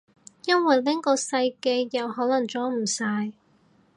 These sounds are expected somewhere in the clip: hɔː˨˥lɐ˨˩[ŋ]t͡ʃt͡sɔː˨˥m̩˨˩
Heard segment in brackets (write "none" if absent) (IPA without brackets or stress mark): ŋ